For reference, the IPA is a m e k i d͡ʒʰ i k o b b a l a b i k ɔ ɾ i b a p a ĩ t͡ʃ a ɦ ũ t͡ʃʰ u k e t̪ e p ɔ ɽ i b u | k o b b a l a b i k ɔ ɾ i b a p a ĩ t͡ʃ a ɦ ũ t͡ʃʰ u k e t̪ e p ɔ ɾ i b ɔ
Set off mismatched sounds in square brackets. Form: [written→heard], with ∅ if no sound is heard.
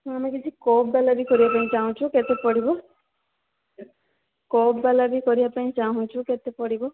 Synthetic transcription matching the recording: a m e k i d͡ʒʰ i k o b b a l a b i k ɔ ɾ i b a p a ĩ t͡ʃ a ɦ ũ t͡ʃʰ u k e t̪ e p ɔ ɽ i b [u→ɔ] | k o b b a l a b i k ɔ ɾ i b a p a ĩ t͡ʃ a ɦ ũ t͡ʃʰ u k e t̪ e p ɔ [ɾ→ɽ] i b ɔ